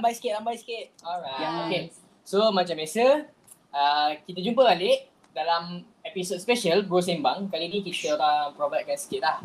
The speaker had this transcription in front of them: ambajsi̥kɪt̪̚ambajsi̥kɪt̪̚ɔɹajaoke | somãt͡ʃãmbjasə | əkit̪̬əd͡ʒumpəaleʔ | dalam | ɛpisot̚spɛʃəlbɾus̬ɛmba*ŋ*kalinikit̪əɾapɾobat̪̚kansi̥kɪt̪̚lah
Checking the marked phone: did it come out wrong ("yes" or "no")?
no